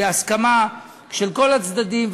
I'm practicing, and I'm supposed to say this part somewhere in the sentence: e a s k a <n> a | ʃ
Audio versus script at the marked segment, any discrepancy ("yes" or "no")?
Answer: yes